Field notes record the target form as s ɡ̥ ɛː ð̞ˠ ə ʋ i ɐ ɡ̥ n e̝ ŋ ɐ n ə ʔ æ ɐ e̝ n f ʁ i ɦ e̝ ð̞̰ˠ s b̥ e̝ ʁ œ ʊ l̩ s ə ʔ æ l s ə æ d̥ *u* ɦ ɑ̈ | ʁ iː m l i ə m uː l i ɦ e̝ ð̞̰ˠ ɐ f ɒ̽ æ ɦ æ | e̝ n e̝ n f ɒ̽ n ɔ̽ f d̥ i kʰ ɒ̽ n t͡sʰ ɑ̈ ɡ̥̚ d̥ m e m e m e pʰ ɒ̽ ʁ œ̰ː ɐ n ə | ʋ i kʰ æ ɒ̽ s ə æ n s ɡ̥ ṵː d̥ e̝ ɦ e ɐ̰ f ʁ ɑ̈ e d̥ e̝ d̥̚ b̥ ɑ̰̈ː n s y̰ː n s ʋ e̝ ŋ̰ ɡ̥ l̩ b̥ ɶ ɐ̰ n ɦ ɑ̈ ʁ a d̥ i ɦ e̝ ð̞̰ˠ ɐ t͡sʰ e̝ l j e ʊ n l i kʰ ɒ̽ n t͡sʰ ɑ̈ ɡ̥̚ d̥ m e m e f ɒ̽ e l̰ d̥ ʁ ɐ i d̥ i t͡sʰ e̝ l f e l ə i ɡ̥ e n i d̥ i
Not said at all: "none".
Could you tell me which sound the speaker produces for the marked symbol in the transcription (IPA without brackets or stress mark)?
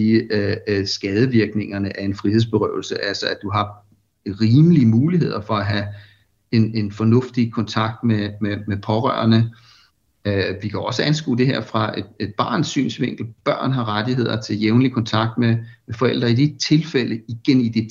u